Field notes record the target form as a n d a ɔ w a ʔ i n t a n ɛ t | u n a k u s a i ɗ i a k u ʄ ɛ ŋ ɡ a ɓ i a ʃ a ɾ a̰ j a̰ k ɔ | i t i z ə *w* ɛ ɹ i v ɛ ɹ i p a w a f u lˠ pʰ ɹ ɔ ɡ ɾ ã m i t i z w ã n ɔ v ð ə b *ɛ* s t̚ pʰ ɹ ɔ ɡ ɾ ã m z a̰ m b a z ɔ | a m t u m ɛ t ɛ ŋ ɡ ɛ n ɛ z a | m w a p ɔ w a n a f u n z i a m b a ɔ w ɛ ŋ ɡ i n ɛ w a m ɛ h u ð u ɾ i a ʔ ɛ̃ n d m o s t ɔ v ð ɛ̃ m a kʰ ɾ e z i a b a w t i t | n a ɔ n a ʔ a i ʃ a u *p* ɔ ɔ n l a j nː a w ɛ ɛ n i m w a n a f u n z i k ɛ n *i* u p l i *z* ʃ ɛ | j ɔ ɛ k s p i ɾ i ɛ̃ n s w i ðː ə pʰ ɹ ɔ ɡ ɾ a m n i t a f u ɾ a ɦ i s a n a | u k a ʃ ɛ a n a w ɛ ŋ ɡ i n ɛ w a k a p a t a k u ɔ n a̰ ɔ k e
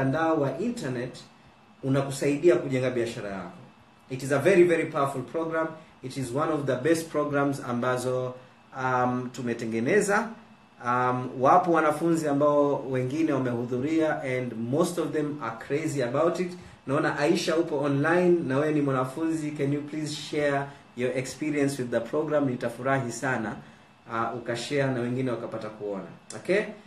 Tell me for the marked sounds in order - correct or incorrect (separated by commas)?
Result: incorrect, correct, correct, incorrect, correct